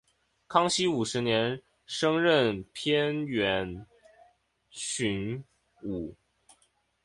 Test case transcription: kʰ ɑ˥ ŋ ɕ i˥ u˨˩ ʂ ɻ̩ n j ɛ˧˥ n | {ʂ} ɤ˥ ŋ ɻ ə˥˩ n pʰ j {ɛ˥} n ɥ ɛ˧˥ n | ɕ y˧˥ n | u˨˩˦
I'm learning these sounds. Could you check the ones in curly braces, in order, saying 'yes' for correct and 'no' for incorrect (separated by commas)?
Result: yes, yes